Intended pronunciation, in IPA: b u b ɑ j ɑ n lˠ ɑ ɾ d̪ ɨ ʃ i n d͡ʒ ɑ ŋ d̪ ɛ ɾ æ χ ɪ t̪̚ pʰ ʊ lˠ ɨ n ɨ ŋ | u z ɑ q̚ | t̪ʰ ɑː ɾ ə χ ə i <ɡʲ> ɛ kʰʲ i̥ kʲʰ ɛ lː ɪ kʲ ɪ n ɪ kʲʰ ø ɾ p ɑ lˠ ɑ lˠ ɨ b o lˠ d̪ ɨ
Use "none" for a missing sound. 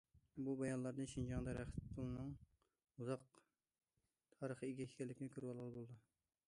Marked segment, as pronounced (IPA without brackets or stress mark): ɡʲ